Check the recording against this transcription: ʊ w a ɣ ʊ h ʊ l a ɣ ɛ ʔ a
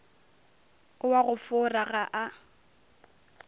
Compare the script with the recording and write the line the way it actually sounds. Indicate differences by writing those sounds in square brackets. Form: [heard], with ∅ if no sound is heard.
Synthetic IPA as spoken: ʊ w a ɣ ʊ [f] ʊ [r] a ɣ [a] ʔ a